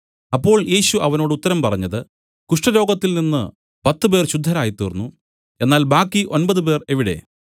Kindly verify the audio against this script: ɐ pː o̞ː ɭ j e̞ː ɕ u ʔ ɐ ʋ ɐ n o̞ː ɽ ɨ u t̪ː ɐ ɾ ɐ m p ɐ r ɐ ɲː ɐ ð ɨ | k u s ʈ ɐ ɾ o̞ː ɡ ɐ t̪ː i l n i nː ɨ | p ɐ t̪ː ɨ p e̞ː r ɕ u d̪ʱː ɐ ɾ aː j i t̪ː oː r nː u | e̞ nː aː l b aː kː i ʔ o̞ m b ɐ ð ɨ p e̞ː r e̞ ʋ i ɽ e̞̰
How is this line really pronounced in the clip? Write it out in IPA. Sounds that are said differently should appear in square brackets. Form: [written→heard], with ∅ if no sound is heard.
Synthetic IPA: ɐ pː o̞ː ɭ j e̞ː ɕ u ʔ ɐ ʋ ɐ n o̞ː ɽ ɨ u t̪ː ɐ ɾ ɐ m p ɐ r ɐ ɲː ɐ ð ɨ | k u [s→ʂ] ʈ ɐ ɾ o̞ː ɡ ɐ t̪ː i l n i nː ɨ | p ɐ t̪ː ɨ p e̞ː r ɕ u d̪ʱː ɐ ɾ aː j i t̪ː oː r nː u | e̞ nː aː l b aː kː i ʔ o̞ [m→n] b ɐ ð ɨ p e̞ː r e̞ ʋ i ɽ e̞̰